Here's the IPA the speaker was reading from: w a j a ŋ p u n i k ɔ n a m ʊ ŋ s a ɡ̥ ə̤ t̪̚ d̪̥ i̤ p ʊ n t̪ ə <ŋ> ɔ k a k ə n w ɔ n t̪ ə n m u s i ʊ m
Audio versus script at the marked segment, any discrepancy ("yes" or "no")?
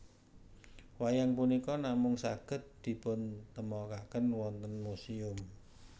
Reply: yes